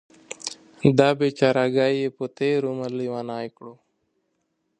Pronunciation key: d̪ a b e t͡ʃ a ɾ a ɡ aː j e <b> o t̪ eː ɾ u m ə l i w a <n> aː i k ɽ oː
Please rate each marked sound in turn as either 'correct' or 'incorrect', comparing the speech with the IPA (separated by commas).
incorrect, correct